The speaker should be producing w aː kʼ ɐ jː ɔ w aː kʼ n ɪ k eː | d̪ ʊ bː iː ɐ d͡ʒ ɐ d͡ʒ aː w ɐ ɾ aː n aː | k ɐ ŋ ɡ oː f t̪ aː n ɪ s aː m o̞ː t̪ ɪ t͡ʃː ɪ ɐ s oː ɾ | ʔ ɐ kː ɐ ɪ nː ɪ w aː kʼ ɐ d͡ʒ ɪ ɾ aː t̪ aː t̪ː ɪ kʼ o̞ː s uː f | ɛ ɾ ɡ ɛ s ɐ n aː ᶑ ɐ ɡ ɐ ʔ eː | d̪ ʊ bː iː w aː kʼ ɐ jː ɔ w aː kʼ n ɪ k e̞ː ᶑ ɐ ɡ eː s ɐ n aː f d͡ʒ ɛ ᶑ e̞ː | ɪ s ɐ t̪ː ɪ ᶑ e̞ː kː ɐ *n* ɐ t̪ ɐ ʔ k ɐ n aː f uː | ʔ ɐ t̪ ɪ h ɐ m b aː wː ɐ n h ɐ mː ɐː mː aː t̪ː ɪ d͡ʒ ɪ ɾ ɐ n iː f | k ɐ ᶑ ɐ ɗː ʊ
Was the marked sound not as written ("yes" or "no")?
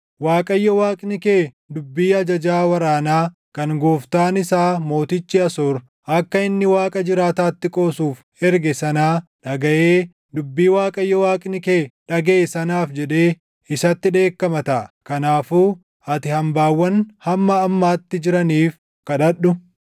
yes